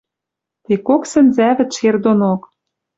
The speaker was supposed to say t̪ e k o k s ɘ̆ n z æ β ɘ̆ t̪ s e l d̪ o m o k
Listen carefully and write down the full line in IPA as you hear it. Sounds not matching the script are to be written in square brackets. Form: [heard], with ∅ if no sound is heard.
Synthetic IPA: t̪ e k o k s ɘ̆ n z æ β ɘ̆ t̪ [ʃ] e [r] d̪ o [n] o k